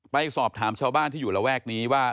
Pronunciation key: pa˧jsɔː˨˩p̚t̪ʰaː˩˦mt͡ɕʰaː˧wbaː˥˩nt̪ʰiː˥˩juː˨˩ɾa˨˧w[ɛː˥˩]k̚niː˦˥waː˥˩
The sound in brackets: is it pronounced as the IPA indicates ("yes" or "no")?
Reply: yes